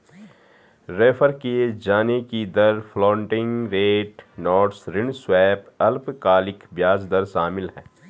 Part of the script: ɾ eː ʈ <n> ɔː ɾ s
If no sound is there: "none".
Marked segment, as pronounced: n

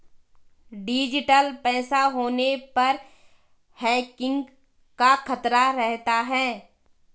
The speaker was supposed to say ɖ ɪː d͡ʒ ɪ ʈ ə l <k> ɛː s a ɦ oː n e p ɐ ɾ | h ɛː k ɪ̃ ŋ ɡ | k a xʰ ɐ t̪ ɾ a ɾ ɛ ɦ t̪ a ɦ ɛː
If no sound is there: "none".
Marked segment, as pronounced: p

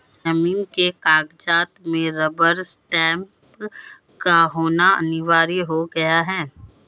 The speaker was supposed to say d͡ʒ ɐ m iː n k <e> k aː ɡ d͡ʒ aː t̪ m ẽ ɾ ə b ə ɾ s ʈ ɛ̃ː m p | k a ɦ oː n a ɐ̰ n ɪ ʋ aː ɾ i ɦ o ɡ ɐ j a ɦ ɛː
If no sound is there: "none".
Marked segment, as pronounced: e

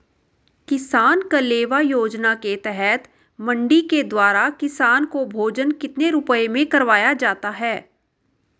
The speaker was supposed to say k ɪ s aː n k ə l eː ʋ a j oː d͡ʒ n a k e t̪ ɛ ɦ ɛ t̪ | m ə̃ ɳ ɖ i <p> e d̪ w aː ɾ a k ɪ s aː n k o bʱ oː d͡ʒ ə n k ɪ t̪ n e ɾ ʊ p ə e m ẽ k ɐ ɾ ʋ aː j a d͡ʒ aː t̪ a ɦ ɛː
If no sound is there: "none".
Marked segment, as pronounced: k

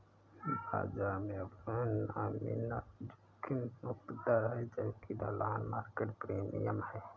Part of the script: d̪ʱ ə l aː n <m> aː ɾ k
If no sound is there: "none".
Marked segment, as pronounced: m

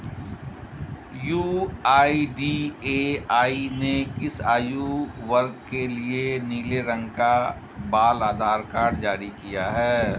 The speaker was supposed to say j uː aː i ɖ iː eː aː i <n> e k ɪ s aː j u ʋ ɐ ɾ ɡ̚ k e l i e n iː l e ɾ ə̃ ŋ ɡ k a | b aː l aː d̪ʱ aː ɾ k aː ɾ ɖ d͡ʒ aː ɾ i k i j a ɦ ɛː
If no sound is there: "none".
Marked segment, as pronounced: n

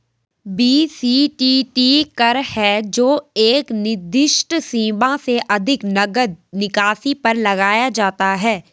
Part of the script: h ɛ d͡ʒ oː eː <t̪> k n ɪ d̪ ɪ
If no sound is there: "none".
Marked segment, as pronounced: none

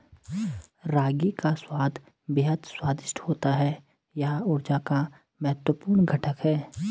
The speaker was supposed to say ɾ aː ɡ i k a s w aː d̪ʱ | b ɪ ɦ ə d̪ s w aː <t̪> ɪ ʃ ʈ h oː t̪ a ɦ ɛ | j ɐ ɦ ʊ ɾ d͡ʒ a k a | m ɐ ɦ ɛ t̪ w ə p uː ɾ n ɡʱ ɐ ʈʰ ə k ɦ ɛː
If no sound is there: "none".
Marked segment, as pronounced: d̪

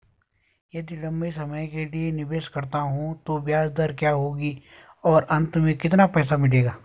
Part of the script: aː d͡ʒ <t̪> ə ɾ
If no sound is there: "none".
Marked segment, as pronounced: d̪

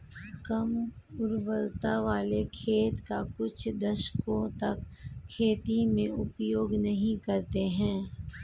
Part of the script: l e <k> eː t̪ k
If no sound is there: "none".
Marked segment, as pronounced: kʰ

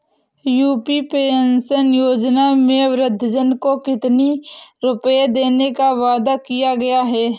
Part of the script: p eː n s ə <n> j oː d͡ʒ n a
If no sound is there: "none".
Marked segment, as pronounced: n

